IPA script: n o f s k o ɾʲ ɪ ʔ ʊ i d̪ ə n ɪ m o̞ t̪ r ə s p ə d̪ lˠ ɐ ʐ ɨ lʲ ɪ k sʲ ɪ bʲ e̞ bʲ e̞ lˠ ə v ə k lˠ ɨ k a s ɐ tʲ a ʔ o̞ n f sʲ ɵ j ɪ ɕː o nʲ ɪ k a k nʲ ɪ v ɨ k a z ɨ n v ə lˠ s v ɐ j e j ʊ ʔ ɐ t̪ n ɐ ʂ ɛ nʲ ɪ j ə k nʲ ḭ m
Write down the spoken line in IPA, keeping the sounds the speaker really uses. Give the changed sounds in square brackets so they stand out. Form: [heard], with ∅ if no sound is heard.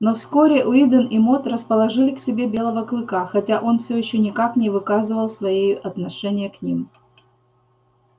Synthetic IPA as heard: n o f s k o ɾʲ ɪ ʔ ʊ i d̪ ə n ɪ m o̞ t̪ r ə s p ə [∅] lˠ ɐ ʐ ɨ lʲ ɪ k sʲ ɪ bʲ e̞ bʲ e̞ lˠ ə v ə k lˠ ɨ k a [x] ɐ tʲ a ʔ o̞ n f sʲ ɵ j ɪ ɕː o nʲ ɪ k a k nʲ ɪ v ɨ k a z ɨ [∅] v ə lˠ s v ɐ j e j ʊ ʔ ɐ t̪ n ɐ ʂ ɛ nʲ ɪ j ə k nʲ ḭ m